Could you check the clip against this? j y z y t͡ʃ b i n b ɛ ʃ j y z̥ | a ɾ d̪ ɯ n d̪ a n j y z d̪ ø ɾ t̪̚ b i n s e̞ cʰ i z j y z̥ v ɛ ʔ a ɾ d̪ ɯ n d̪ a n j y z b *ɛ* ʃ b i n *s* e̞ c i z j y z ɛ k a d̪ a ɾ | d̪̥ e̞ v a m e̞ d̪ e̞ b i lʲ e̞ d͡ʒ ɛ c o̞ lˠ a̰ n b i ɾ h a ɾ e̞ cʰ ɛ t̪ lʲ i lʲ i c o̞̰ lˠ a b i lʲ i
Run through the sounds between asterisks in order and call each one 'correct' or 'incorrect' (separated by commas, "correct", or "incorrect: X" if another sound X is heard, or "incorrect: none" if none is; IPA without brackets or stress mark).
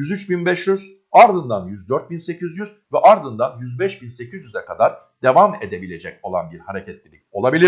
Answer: correct, correct